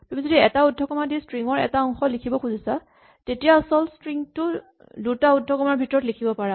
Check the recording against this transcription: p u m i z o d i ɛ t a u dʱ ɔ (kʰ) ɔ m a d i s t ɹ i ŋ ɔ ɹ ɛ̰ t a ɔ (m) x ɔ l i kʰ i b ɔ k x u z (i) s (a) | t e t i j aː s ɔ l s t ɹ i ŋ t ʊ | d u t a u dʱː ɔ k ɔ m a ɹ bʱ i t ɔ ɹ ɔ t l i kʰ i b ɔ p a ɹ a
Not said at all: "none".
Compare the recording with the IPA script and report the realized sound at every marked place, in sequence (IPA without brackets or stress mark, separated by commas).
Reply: k, ŋ, i, a